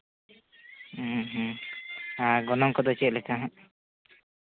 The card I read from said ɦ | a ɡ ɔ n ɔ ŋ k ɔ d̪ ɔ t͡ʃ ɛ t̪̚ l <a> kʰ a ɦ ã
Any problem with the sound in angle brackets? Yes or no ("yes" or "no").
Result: yes